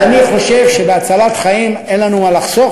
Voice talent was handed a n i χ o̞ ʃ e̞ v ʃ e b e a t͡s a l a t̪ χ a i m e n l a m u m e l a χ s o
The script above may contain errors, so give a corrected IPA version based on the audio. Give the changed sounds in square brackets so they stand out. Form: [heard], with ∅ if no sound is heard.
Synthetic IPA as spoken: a n i χ o̞ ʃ e̞ v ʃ e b e a t͡s a l a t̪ χ a i m e n l a [n] u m [a] l a χ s o